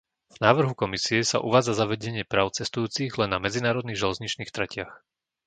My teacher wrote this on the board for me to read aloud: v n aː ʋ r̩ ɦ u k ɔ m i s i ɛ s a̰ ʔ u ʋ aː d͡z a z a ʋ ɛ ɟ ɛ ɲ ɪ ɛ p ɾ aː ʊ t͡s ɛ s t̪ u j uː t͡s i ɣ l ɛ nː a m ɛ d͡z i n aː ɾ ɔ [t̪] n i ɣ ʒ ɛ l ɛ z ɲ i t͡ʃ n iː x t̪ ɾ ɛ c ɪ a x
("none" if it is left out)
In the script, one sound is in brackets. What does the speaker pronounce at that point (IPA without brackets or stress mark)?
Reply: d̪